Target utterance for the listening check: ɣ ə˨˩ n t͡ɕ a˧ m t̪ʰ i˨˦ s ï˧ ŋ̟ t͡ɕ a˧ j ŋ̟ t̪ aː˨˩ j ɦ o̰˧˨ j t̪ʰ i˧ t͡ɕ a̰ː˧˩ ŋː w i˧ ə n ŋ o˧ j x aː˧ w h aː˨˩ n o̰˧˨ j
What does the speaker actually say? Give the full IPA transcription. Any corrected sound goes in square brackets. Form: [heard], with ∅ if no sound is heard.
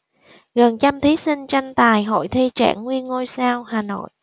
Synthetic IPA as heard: ɣ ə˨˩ n t͡ɕ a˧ m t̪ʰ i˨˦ s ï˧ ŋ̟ t͡ɕ a˧ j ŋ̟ t̪ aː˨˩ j ɦ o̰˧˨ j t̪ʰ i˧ t͡ɕ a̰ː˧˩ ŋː w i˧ ə n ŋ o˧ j [s] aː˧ w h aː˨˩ n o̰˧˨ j